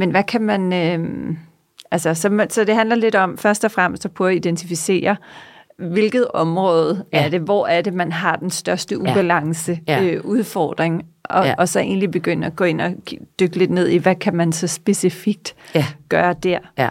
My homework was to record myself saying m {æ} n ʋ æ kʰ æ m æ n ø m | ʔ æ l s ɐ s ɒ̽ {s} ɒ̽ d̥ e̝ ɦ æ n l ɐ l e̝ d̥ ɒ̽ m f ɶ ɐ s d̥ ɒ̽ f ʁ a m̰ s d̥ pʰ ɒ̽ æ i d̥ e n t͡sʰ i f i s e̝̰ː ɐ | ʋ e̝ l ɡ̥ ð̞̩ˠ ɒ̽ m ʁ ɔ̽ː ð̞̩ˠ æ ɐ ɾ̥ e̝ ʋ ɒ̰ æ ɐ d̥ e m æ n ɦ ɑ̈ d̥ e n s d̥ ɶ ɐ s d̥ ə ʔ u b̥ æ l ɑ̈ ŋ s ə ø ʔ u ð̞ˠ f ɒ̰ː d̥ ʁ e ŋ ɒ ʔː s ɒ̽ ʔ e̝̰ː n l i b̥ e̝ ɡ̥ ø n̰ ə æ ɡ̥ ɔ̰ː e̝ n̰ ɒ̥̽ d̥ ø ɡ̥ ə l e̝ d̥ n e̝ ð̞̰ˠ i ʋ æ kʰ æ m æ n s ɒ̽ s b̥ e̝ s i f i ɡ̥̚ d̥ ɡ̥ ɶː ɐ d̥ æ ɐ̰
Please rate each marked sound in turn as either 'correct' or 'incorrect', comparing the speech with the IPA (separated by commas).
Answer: incorrect, correct